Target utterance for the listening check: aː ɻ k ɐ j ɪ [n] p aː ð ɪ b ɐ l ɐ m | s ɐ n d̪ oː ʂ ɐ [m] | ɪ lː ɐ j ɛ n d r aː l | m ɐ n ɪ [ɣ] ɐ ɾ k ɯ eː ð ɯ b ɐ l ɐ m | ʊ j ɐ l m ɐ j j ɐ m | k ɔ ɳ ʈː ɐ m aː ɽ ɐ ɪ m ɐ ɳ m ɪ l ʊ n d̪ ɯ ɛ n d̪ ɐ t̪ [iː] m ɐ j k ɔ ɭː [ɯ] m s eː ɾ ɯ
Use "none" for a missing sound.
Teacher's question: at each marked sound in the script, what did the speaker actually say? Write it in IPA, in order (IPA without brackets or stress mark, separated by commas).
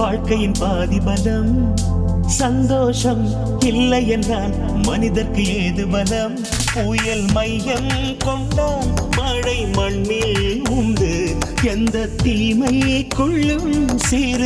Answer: n, m, ð, iː, ɯ